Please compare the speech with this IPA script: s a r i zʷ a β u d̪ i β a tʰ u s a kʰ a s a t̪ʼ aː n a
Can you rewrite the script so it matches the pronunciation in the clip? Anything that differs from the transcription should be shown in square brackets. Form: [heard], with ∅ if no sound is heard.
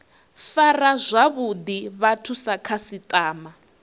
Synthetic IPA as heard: [f] a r [a] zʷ a β u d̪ i β a tʰ u s a kʰ a s [i] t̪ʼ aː [m] a